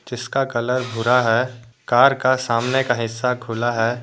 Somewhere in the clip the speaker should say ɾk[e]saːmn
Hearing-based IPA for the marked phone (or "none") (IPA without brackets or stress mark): a